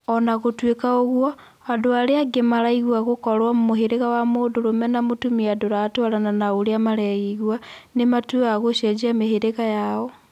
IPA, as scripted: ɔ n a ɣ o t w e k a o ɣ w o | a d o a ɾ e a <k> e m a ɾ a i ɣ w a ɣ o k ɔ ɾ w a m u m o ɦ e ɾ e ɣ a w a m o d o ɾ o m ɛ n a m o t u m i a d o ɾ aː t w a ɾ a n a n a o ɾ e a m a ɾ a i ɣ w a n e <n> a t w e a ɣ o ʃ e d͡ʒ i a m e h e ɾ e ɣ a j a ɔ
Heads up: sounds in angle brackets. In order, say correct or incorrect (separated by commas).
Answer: incorrect, incorrect